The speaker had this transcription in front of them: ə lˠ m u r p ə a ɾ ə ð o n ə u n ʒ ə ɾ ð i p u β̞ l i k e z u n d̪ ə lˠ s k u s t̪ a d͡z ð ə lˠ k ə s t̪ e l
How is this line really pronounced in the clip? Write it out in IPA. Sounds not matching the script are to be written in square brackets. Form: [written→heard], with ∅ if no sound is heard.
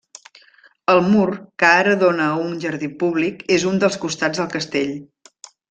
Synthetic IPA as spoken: ə lˠ m u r [p→k] ə a ɾ ə ð o n ə u n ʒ ə ɾ ð i p u β̞ l i k e z u n d̪ ə lˠ s k u s t̪ a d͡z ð ə lˠ k ə s t̪ e [l→ʎ]